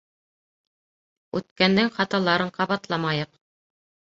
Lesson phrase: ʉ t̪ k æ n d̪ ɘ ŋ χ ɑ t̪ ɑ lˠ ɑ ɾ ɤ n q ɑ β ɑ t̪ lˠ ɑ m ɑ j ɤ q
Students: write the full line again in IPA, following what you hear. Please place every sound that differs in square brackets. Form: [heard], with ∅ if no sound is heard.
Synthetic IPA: ʉ t̪ k æ n d̪ ɘ ŋ χ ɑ t̪ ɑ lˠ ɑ ɾ ɤ [ɴ] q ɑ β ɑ t̪ lˠ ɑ m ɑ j ɤ q